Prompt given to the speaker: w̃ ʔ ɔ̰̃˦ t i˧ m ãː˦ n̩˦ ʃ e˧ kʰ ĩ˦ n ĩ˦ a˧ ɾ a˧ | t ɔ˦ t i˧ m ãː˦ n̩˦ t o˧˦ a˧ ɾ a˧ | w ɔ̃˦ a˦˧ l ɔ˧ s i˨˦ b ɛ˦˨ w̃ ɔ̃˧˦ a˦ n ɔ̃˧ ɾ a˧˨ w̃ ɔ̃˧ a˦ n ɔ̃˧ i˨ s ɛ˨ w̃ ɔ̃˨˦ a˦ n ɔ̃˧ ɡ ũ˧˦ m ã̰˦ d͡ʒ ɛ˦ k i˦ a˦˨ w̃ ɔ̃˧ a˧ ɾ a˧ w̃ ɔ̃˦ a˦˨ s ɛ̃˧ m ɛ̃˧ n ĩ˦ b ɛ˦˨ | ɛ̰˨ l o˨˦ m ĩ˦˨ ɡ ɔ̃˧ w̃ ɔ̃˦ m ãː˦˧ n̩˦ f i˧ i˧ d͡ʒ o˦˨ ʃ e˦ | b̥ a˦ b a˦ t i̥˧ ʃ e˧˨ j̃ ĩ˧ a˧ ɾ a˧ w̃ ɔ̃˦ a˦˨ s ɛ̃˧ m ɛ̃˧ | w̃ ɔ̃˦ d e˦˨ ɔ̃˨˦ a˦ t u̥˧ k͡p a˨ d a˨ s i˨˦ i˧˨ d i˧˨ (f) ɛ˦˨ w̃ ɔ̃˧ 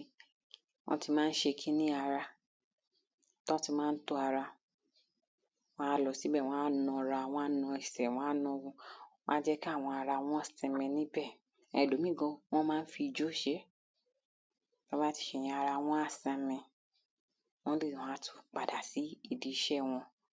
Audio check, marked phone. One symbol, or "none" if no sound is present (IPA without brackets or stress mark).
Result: ʃ